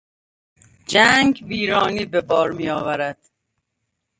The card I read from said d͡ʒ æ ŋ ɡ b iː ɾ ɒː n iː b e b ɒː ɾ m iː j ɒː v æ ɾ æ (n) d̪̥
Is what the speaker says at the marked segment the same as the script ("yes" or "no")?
no